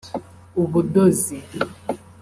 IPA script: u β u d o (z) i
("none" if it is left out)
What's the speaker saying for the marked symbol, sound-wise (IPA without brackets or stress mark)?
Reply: z